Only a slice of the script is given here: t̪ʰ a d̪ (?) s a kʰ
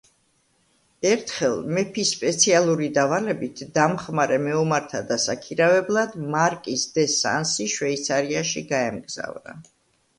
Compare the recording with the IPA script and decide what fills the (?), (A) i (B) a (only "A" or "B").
B